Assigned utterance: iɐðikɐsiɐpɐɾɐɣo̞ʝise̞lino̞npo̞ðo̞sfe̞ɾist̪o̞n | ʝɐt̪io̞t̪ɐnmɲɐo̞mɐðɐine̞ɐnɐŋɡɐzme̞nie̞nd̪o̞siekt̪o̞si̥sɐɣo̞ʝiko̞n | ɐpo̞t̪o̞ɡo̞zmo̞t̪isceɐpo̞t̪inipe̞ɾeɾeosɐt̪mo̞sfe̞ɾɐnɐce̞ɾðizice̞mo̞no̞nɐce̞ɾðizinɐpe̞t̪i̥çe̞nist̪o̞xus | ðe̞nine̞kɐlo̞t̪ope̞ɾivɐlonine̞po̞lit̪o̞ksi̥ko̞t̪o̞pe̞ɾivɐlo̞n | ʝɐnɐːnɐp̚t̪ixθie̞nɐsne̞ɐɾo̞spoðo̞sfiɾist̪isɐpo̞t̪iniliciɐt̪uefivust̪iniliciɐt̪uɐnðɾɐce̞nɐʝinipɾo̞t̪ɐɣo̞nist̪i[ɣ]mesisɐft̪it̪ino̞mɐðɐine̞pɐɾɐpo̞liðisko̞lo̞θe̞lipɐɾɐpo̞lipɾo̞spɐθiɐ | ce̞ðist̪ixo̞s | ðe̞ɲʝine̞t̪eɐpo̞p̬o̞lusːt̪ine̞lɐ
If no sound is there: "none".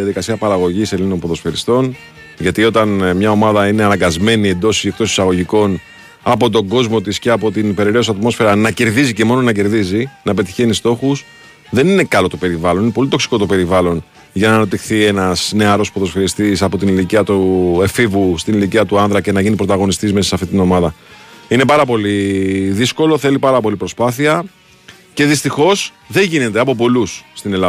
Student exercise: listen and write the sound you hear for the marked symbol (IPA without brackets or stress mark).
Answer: z